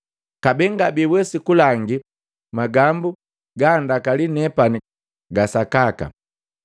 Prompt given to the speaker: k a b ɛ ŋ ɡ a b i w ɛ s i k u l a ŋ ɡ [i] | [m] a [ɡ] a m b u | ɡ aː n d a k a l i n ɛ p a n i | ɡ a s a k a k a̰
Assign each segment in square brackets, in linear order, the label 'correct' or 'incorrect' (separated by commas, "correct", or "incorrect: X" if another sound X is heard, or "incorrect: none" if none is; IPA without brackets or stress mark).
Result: correct, correct, correct